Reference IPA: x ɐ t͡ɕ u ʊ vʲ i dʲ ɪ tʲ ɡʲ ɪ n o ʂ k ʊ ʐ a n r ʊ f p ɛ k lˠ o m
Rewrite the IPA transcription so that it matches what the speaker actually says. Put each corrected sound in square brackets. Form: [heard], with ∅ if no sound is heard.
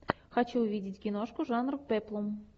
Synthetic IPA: x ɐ t͡ɕ u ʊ vʲ i dʲ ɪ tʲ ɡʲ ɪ n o ʂ k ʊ ʐ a n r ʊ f p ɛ [p] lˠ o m